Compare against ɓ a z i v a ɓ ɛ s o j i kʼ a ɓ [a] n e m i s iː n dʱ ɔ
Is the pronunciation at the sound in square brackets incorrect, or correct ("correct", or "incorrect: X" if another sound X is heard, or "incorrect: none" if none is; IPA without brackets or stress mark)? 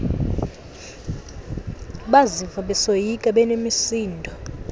incorrect: ɛ